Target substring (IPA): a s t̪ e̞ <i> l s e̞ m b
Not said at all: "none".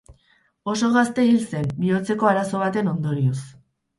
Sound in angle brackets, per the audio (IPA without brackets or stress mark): i